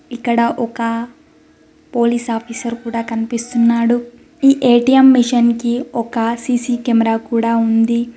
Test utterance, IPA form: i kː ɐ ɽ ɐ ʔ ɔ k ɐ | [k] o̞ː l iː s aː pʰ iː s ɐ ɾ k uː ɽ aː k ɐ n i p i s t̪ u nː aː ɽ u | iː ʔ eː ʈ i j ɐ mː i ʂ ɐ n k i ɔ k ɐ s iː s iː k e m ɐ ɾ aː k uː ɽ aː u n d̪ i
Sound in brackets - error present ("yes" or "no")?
yes